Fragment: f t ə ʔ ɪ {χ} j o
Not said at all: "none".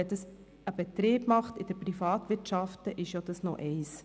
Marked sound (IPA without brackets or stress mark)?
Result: ʃ